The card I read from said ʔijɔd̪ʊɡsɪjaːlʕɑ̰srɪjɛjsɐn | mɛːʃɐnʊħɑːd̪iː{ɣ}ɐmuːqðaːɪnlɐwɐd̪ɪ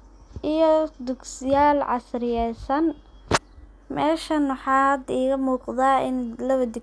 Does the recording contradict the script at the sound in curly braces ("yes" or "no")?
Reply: no